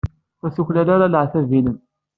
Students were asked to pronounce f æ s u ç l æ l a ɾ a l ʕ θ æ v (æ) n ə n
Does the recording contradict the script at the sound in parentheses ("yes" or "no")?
yes